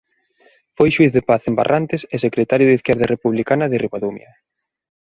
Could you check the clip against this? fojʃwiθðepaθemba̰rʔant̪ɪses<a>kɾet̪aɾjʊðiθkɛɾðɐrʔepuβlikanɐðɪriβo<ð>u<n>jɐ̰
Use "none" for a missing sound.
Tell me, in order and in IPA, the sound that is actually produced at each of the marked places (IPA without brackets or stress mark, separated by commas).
e, ð, m